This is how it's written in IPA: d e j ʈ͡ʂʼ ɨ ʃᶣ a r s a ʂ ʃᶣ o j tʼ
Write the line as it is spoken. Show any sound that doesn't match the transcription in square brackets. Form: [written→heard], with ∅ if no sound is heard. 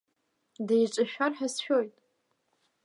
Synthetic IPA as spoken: d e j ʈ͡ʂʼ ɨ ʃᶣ a r [s→ħ] a [ʂ→s] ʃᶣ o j tʼ